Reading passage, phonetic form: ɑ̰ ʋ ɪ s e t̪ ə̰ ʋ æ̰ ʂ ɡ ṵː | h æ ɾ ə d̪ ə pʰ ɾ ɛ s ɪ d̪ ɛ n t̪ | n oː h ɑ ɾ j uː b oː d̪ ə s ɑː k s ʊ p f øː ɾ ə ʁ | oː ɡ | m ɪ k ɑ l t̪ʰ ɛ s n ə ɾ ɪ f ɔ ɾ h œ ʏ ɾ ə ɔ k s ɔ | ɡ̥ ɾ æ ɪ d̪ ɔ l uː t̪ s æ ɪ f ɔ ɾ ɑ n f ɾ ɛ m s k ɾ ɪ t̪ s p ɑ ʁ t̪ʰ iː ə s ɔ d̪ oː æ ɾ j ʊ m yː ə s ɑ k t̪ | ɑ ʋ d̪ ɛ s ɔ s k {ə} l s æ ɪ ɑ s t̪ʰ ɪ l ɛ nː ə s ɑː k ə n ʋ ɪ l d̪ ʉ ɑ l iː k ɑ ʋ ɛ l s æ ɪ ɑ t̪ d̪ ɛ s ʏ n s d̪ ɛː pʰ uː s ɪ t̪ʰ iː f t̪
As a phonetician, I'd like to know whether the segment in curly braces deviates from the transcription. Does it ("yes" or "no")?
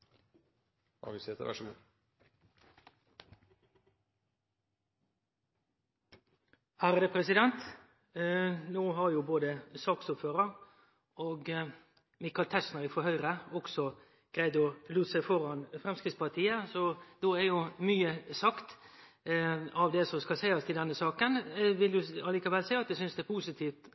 yes